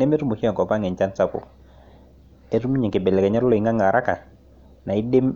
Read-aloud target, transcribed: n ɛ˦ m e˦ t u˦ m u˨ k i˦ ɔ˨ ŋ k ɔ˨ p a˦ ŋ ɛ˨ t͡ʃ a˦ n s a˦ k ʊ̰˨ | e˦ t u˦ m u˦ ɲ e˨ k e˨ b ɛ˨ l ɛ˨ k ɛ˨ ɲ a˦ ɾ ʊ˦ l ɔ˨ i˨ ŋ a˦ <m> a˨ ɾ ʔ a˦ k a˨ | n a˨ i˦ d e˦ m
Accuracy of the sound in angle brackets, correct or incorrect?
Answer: incorrect